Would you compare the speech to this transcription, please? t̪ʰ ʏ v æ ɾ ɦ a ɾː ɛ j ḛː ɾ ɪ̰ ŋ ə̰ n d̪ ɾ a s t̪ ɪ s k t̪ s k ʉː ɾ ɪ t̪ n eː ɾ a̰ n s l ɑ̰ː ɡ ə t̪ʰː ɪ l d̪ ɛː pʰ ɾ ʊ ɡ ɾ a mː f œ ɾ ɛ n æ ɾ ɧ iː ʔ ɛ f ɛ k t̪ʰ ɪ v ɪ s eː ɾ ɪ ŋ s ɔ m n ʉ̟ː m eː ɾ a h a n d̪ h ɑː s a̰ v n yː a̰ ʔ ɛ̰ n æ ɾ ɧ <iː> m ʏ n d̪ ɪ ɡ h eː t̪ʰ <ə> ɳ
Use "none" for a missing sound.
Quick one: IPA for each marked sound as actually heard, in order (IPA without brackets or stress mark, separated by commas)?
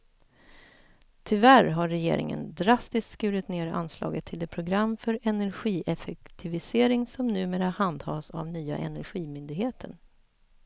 iː, ə